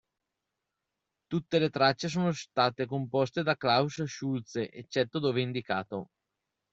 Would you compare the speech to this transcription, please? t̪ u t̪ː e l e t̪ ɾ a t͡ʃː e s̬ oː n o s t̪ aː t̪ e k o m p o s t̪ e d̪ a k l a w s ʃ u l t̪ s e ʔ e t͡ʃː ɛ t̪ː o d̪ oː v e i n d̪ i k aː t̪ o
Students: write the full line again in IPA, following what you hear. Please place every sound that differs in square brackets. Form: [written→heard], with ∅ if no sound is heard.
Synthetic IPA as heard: t̪ u t̪ː e l e t̪ ɾ a t͡ʃː e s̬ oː n o s t̪ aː t̪ e k o m p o s t̪ e d̪ a k l a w s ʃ u l t̪ s e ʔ e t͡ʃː ɛ t̪ː o d̪ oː v e i n d̪ i k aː t̪ o